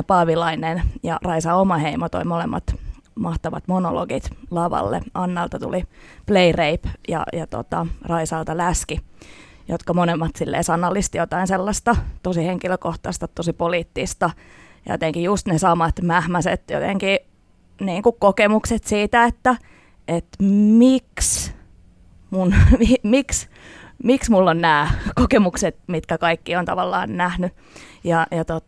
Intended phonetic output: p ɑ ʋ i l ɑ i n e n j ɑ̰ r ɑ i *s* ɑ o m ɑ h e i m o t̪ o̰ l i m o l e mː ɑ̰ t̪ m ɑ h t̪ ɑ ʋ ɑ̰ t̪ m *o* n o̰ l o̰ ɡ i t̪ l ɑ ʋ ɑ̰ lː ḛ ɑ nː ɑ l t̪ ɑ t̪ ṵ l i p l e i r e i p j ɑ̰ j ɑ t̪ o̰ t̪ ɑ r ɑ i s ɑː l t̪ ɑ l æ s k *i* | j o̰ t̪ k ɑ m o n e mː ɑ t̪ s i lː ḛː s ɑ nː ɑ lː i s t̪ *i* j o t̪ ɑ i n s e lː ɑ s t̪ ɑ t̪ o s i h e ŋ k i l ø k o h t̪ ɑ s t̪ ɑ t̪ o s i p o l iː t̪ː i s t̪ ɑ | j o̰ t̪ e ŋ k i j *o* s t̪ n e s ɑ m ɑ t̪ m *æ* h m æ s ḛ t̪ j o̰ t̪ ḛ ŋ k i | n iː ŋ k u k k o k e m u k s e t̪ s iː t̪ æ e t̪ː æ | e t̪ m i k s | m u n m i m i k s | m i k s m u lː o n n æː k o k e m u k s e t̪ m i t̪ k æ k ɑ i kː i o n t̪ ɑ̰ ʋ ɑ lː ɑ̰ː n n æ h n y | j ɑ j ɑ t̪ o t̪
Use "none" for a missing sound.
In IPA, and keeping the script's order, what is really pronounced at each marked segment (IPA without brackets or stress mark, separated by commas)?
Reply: s, o, i, i, u, æ